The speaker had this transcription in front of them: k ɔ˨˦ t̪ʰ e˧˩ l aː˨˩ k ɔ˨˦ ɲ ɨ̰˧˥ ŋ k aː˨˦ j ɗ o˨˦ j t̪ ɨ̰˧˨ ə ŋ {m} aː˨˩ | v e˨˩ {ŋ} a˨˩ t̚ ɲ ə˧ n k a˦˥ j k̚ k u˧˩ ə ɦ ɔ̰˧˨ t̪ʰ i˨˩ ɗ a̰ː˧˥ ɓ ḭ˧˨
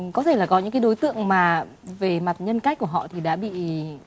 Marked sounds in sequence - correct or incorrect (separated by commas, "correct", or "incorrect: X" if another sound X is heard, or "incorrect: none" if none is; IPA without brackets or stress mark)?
correct, incorrect: m